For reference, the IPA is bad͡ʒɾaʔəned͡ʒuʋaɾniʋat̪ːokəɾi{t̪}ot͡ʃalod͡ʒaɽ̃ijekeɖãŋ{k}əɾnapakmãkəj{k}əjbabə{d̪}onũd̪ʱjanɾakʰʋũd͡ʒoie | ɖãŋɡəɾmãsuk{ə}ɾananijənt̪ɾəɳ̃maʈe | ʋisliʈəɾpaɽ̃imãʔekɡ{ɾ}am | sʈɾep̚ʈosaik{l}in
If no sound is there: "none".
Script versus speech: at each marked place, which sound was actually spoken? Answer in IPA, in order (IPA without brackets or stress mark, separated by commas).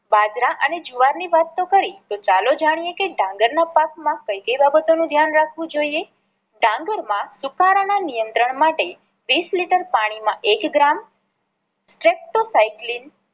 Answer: t̪, ɡ, k, t̪, a, ɾ, l